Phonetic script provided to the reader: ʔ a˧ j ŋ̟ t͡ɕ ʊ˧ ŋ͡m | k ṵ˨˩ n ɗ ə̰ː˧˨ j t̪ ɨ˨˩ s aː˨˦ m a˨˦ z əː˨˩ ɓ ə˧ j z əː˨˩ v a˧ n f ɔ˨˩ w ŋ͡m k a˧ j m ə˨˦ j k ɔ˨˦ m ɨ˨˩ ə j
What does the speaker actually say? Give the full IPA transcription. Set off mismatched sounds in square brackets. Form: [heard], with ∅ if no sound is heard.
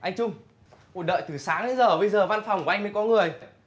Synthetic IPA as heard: ʔ a˧ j ŋ̟ t͡ɕ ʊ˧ ŋ͡m | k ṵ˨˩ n ɗ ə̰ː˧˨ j t̪ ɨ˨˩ s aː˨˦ [ŋ] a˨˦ z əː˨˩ ɓ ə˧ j z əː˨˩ v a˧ n f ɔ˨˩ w ŋ͡m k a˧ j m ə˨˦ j k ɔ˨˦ [ŋ] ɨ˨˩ ə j